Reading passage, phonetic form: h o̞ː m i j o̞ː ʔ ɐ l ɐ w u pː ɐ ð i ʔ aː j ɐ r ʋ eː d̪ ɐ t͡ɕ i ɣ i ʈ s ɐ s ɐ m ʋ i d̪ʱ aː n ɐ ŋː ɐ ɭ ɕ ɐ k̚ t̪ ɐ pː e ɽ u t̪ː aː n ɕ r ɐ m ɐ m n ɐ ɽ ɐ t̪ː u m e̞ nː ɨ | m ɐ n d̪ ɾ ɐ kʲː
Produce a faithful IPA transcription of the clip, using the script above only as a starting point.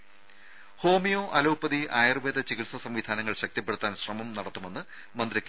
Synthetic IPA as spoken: h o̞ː m i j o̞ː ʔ ɐ l ɐ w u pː ɐ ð i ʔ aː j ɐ r ʋ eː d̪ ɐ t͡ɕ i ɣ i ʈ s ɐ s ɐ m ʋ i d̪ʱ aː n ɐ ŋː ɐ ɭ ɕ ɐ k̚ t̪ ɐ pː e ɽ u t̪ː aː n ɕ r ɐ m ɐ m n ɐ ɽ ɐ t̪ː u m e̞ nː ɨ | m ɐ n d̪ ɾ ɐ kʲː